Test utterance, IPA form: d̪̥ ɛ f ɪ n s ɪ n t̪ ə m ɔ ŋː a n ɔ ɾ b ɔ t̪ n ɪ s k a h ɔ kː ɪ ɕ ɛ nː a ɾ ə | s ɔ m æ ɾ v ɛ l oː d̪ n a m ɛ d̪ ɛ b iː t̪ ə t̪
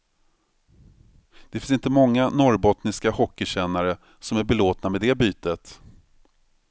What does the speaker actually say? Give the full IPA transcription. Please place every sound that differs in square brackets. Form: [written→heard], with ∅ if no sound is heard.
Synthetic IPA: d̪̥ ɛ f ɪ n s ɪ n t̪ ə m ɔ ŋː a n ɔ ɾ b ɔ t̪ n ɪ s k a h ɔ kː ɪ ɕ ɛ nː a ɾ ə | s ɔ m æ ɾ [v→b] ɛ l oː [d̪→t̪] n a m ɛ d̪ ɛ b [iː→yː] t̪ ə t̪